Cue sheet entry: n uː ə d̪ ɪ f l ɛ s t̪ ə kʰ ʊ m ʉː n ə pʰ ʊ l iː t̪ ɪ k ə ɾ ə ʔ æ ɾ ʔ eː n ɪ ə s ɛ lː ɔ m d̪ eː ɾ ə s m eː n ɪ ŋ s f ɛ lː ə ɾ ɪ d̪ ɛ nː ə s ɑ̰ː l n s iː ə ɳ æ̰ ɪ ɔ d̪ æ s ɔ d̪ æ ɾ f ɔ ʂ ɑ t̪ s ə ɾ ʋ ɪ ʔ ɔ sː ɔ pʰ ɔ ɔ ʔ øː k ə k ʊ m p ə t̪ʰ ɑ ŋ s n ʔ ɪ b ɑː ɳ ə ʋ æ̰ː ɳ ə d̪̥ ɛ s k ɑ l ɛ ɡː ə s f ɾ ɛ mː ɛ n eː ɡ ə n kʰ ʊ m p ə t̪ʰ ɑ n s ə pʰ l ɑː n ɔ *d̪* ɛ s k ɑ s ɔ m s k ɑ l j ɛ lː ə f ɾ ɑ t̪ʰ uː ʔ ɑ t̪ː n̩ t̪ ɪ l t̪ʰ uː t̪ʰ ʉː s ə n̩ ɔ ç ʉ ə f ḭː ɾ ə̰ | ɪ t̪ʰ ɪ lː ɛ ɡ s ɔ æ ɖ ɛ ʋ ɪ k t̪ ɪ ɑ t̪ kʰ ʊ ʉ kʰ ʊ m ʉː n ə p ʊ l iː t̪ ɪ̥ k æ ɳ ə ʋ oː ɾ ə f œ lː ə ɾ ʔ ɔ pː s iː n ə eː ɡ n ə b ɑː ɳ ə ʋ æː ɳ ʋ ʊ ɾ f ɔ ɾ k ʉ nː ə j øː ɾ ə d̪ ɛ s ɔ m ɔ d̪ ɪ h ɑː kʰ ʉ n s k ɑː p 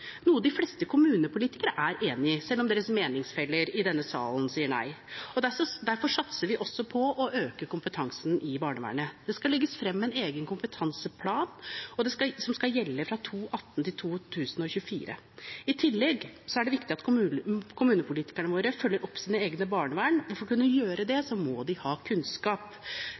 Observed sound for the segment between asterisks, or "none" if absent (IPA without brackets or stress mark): d̪